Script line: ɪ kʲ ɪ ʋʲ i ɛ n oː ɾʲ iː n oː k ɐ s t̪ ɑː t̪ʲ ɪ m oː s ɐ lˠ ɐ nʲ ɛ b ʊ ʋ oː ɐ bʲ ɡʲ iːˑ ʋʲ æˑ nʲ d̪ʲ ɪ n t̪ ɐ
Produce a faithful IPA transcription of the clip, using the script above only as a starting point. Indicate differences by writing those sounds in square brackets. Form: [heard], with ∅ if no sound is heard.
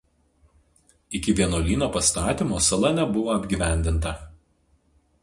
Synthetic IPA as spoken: ɪ kʲ ɪ ʋʲ i ɛ n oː [lʲ] iː n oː [p] ɐ s t̪ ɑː t̪ʲ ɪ m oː s ɐ lˠ ɐ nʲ ɛ b ʊ ʋ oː ɐ bʲ ɡʲ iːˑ ʋʲ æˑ nʲ d̪ʲ ɪ n t̪ ɐ